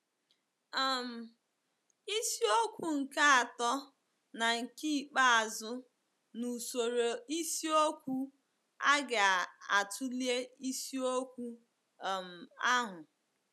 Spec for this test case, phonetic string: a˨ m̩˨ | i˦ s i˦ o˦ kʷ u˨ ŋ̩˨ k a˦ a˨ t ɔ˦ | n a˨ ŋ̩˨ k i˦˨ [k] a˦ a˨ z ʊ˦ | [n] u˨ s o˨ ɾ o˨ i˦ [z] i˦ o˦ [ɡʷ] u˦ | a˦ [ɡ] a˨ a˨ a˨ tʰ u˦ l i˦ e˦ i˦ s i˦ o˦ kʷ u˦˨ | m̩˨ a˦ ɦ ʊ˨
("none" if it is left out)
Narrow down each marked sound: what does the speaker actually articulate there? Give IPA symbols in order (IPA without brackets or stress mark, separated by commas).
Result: k͡p, n, s, kʷ, ɡ